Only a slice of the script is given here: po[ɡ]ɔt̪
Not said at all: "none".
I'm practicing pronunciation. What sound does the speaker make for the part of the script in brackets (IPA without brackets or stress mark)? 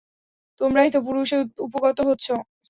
ɡ